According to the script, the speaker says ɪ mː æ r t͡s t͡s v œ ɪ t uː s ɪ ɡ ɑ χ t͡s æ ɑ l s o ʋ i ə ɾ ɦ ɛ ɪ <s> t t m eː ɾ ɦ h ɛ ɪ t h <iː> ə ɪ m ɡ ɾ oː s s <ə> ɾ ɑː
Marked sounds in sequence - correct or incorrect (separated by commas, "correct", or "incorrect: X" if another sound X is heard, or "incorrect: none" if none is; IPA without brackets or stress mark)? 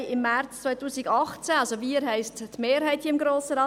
correct, incorrect: i, correct